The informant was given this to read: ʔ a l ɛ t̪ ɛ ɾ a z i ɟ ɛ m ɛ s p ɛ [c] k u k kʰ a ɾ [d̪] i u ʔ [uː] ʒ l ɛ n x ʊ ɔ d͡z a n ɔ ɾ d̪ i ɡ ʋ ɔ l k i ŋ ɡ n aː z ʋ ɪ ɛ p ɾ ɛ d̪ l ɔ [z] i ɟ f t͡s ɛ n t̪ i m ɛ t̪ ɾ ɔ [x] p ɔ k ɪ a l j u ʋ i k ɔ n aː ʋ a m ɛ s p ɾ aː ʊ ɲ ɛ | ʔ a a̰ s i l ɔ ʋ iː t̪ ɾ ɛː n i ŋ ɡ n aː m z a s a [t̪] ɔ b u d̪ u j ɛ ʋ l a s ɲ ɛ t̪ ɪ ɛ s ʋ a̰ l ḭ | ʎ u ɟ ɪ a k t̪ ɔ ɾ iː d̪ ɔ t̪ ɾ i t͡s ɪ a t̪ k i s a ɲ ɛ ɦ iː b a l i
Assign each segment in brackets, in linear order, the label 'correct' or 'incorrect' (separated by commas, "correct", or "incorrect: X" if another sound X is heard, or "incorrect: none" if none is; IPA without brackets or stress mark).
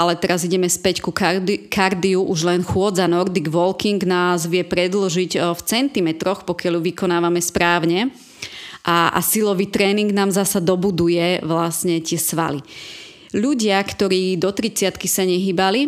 correct, correct, incorrect: u, incorrect: ʒ, correct, incorrect: d̪